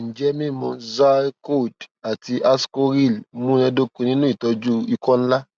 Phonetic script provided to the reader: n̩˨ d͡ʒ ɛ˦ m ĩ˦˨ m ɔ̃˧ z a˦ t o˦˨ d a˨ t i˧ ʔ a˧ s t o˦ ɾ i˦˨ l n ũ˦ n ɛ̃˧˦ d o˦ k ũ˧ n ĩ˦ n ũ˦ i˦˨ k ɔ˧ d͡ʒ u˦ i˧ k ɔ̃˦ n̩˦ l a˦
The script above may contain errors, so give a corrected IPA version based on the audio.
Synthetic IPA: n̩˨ d͡ʒ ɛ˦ m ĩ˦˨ m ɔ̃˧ z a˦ k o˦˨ d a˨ t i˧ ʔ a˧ s k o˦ ɾ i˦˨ l m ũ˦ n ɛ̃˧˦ d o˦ k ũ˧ n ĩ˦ n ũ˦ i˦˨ t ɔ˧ d͡ʒ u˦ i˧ k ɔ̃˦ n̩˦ l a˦